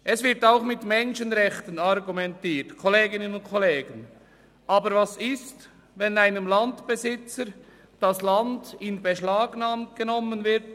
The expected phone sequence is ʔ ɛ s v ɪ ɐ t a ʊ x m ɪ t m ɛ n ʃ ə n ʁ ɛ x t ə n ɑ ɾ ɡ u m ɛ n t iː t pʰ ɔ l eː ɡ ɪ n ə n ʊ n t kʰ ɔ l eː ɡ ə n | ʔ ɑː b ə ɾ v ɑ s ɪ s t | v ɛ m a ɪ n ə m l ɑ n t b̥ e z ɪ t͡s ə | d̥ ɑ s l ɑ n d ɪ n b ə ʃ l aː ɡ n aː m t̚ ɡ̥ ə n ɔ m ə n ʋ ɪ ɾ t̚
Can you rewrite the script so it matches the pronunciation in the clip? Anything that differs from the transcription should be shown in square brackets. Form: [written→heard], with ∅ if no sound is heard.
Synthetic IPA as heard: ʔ ɛ s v ɪ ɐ t a ʊ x m ɪ t m ɛ n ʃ ə n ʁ ɛ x t ə n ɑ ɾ ɡ u m ɛ n t iː t [pʰ→kʰ] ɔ l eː ɡ ɪ n ə n ʊ n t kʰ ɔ l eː ɡ ə n | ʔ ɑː b ə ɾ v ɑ s ɪ s t | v ɛ [m→n] a ɪ n ə m l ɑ n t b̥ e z ɪ t͡s ə | d̥ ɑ s l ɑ n d ɪ n b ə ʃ l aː ɡ n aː m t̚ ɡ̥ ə n ɔ m ə n [ʋ→v] ɪ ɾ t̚